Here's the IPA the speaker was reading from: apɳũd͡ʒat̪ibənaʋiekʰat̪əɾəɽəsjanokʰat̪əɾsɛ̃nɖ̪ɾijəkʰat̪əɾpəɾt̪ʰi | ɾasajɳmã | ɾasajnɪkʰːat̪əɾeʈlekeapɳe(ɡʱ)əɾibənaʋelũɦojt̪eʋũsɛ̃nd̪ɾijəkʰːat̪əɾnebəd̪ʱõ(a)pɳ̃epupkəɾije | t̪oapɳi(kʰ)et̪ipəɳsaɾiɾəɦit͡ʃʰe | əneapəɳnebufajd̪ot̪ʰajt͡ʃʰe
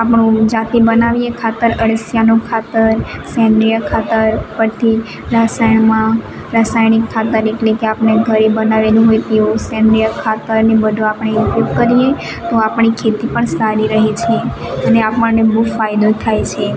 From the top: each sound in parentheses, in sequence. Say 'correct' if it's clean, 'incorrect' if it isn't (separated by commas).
correct, correct, correct